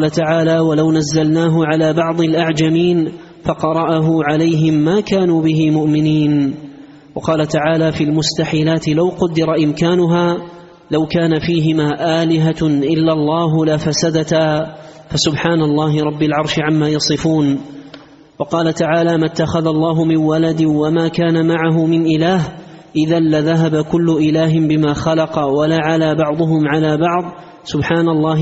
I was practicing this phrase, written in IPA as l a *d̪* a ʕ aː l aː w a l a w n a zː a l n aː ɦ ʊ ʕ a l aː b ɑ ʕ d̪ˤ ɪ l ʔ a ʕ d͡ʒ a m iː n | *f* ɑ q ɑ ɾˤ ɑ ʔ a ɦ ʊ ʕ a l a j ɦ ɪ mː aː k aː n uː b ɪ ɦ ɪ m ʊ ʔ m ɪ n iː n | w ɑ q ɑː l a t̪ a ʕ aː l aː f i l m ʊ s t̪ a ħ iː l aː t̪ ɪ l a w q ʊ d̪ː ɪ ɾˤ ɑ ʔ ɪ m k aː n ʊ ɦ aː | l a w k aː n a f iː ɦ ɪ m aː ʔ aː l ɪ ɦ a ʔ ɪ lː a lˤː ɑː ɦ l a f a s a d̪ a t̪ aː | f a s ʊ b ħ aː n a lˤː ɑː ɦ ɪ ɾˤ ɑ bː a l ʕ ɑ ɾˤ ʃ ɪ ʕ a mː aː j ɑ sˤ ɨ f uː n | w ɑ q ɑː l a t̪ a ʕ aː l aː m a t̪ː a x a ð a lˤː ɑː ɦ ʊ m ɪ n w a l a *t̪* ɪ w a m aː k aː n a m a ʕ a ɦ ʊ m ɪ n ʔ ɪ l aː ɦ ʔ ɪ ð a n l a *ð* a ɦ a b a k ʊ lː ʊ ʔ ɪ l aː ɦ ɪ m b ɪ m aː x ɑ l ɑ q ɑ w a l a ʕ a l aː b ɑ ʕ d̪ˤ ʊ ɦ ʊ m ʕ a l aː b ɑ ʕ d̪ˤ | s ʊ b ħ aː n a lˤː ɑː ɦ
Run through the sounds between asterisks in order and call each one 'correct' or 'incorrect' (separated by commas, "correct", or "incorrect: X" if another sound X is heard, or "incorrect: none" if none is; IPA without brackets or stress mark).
incorrect: t̪, correct, incorrect: d̪, correct